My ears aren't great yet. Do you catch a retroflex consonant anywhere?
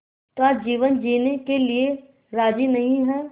no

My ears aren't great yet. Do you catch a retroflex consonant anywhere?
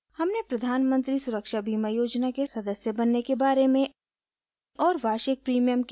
no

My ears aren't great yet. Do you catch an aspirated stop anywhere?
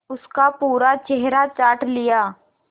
no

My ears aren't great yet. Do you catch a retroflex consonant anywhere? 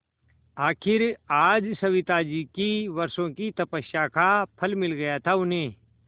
no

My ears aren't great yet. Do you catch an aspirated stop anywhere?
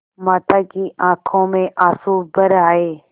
yes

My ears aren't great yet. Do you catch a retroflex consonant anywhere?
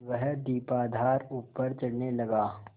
yes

